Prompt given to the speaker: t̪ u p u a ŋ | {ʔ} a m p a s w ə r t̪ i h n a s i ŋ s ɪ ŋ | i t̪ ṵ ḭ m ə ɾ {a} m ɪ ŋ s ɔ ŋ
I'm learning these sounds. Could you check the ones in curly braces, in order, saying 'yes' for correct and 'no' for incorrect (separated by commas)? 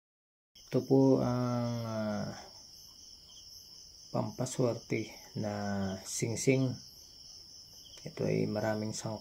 no, yes